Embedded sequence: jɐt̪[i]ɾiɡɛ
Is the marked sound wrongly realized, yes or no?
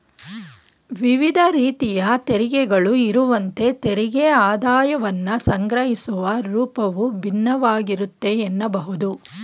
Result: yes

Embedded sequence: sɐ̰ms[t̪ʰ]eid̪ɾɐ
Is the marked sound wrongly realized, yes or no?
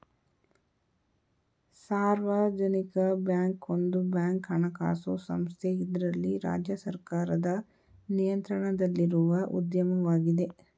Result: no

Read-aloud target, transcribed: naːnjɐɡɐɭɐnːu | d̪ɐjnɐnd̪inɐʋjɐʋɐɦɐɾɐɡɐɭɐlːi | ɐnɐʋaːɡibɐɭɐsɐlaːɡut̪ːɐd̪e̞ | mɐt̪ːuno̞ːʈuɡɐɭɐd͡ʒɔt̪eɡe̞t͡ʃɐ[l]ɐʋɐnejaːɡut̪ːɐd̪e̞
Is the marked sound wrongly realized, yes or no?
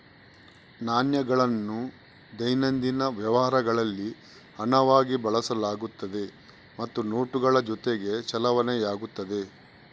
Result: no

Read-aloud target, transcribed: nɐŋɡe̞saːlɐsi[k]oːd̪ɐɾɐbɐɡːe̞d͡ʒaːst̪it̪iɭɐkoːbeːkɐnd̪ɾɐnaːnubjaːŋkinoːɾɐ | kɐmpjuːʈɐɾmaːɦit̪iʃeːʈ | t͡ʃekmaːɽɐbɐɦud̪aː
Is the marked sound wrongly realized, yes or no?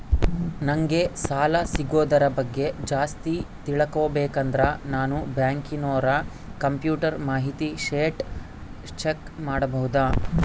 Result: yes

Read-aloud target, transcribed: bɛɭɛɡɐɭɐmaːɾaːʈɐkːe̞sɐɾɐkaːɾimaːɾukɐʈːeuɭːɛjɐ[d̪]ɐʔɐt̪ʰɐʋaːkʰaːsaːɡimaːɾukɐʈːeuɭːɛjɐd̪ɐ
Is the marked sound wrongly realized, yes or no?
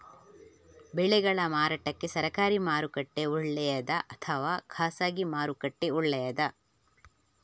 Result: no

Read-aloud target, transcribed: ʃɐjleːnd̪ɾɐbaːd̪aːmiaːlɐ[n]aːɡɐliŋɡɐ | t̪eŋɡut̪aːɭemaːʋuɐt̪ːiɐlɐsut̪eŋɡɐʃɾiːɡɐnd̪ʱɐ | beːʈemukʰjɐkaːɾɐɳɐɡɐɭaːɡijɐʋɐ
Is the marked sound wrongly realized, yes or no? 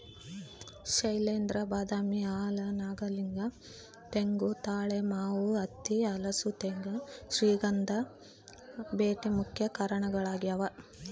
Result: no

